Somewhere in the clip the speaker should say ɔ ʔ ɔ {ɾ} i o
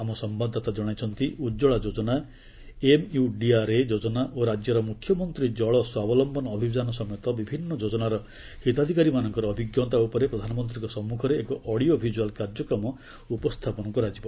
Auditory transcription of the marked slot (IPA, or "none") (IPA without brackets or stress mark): ɽ